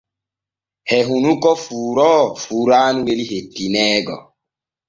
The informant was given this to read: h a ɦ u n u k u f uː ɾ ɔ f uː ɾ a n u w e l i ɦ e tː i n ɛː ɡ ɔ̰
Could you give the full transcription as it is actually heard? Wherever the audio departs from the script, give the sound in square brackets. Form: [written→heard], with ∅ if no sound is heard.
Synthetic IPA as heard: h [a→ɛ] ɦ u n u k [u→ɔ] f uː ɾ ɔ f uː ɾ a n u w e l i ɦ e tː i n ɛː ɡ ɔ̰